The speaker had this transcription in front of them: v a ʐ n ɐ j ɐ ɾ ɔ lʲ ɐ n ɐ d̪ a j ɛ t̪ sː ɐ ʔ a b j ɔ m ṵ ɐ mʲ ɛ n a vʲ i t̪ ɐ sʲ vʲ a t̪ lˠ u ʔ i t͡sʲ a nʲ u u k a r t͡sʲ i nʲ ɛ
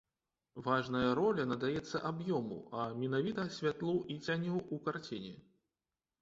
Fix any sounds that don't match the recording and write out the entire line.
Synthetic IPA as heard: v a ʐ n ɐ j ɐ ɾ ɔ lʲ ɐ n ɐ d̪ a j ɛ t̪ sː ɐ ʔ a b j ɔ m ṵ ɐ mʲ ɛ n a vʲ i t̪ ɐ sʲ vʲ a t̪ lˠ u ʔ i t͡sʲ a nʲ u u k a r t͡sʲ i nʲ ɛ